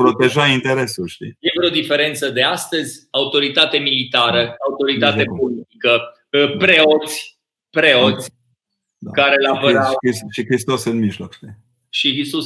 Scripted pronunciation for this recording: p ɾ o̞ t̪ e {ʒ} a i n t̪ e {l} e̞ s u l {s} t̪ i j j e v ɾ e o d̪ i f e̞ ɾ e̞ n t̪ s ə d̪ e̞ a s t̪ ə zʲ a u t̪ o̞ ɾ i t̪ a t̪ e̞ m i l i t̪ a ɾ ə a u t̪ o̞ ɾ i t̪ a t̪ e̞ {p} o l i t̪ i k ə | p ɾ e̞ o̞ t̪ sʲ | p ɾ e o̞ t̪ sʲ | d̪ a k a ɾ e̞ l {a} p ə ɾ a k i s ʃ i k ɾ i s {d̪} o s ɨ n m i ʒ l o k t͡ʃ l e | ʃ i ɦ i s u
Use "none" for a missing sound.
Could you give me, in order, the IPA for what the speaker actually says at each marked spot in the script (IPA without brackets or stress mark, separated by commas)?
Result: ʒ, ɾ, ʃ, p, a, t̪